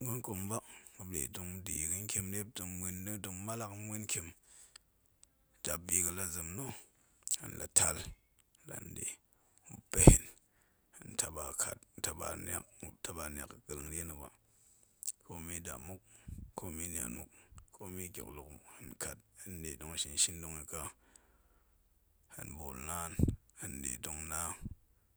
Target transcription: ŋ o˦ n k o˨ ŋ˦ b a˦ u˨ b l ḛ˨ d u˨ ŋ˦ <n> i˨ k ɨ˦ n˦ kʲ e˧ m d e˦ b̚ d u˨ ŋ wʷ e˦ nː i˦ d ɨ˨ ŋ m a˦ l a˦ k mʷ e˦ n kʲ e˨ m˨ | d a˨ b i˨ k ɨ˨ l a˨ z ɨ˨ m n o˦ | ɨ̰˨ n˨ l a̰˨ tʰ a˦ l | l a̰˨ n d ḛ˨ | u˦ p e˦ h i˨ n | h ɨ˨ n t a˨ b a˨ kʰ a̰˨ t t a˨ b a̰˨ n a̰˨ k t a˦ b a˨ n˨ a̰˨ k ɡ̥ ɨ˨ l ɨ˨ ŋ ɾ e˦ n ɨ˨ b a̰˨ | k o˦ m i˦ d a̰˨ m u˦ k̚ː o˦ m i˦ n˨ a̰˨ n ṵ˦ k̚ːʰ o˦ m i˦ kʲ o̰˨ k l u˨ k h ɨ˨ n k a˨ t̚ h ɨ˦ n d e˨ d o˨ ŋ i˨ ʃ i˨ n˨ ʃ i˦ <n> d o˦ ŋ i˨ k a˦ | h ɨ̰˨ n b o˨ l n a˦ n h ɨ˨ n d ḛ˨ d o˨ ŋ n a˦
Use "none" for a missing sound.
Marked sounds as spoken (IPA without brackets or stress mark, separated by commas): d, n